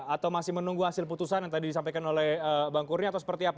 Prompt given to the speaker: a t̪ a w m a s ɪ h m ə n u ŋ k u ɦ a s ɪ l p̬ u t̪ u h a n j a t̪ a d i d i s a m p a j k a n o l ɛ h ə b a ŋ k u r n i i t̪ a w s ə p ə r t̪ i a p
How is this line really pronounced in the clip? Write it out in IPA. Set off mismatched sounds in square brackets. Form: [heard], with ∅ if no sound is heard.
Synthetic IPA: a t̪ a w m a s ɪ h m ə n u ŋ [ɡ] u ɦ a s ɪ l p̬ u t̪ u [s] a n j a t̪ a d i d i s a m p a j k a n o l ɛ h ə b a ŋ k u r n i [a] t̪ a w s ə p ə r t̪ i a p